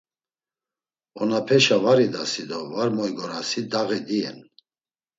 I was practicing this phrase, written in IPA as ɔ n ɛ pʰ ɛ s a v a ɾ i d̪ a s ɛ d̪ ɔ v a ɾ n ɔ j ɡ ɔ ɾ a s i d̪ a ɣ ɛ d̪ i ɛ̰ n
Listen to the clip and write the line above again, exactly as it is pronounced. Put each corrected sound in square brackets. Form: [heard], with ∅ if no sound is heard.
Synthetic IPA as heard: ɔ n [a] pʰ ɛ [ʃ] a v a ɾ i d̪ a s [i] d̪ ɔ v a ɾ [m] ɔ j ɡ ɔ ɾ a s i d̪ a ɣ ɛ d̪ i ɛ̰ n

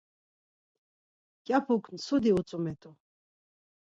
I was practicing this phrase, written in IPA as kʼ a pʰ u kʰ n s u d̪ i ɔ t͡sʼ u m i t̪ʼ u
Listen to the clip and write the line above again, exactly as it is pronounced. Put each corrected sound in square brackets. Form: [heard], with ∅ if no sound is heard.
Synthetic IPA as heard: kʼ a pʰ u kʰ n s u d̪ i [u] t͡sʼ u m [ɛ] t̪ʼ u

